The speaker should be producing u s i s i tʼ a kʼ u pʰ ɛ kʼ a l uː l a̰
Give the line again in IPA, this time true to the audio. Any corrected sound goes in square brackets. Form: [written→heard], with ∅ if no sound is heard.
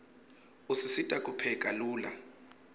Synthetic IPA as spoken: u s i s i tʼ a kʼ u pʰ ɛ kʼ a l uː l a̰